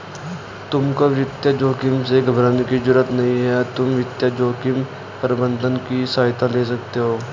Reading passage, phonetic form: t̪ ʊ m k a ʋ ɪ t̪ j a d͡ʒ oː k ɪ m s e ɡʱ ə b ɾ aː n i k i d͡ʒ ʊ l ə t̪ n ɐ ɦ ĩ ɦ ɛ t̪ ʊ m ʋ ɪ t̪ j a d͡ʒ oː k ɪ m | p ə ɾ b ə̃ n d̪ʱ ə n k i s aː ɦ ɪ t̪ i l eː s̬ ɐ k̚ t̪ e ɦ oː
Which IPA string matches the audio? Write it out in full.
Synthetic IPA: t̪ ʊ m k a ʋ ɪ t̪ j a d͡ʒ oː k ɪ m s e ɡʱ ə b ɾ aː n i k i d͡ʒ ʊ ɾ ə t̪ n ɐ ɦ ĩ ɦ ɛ t̪ ʊ m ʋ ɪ t̪ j a d͡ʒ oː k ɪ m | p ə ɾ b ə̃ n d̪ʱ ə n k i s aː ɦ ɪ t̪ a l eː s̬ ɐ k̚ t̪ e ɦ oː